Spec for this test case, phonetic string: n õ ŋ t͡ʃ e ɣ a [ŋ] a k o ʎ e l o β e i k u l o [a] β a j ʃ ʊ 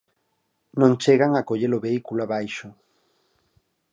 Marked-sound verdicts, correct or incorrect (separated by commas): correct, correct